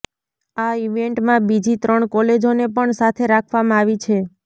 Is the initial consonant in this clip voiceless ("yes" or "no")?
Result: no